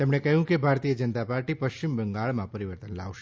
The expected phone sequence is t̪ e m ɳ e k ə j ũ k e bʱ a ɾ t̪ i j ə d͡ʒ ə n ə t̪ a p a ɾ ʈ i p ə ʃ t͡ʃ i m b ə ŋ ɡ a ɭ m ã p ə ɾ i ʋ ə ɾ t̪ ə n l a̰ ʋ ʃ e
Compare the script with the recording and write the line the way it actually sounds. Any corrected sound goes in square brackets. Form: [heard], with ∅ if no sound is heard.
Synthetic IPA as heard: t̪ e m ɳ e k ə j ũ k e bʱ a ɾ t̪ i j ə d͡ʒ ə n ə t̪ a p a ɾ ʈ i p ə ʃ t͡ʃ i m b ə ŋ ɡ a ɭ m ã p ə ɾ i ʋ ə ɾ t̪ ə n l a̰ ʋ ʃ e